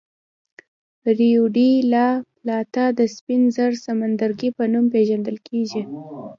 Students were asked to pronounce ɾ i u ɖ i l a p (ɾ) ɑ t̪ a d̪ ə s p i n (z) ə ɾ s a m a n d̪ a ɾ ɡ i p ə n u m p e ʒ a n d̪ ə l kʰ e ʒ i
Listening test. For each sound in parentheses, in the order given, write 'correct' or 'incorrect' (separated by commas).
incorrect, correct